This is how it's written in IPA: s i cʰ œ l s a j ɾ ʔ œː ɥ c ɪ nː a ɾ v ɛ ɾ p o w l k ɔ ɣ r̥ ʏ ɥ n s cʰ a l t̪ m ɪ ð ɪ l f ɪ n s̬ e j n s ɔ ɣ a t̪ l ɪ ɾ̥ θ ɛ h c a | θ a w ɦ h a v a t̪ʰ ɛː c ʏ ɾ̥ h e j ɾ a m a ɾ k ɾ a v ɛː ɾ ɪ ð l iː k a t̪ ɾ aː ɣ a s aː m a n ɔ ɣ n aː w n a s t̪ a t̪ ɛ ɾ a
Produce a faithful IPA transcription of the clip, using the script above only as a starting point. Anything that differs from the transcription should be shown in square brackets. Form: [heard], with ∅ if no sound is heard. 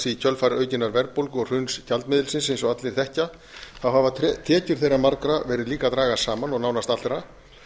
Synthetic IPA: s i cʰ œ l [f] a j ɾ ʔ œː ɥ c ɪ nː a ɾ v ɛ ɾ p o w l k ɔ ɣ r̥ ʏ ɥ n s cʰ a l t̪ m ɪ ð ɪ l [s] ɪ n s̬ e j n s ɔ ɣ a t̪ l ɪ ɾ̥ θ ɛ h c a | θ a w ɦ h a v a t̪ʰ ɛː c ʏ ɾ̥ [θ] e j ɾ a m a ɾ k ɾ a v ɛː ɾ ɪ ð l iː k a t̪ ɾ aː ɣ a s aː m a n ɔ ɣ n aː w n a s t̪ a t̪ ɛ ɾ a